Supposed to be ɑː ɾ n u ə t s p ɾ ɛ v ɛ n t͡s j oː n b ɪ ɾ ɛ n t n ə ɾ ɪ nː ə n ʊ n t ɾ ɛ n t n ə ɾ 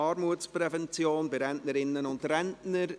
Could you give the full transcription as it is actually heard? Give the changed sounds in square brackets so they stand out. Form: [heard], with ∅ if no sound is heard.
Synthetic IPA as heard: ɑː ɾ [m] u ə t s p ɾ ɛ v ɛ n t͡s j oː n b ɪ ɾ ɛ n t n ə ɾ ɪ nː ə n ʊ n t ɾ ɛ n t n ə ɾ